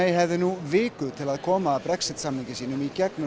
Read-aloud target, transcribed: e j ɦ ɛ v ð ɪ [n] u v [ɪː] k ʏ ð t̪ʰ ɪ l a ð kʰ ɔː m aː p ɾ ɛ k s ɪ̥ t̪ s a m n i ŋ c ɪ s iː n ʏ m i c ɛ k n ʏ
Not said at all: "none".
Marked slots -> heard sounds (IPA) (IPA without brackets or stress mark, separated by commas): n, ɪː